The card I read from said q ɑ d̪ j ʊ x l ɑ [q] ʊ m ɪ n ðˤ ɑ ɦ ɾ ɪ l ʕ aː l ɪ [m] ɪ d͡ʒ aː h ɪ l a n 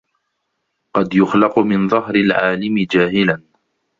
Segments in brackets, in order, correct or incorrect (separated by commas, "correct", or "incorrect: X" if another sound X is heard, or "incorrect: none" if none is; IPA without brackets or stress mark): correct, correct